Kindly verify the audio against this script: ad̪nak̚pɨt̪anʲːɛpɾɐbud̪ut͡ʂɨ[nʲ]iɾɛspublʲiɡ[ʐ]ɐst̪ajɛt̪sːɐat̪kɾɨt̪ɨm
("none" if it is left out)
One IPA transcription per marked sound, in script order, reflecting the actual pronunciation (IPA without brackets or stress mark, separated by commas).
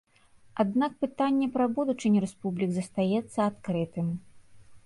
nʲ, z